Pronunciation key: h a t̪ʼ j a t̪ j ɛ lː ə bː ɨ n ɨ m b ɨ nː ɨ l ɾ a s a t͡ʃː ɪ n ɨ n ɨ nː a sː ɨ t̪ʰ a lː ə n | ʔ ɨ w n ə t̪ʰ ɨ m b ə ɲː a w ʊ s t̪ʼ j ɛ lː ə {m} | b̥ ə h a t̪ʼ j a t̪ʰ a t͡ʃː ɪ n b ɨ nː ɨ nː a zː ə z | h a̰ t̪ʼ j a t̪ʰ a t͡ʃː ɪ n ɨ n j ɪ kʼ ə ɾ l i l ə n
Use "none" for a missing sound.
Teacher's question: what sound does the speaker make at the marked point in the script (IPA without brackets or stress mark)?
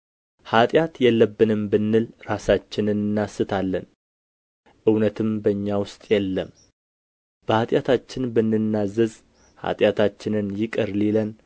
m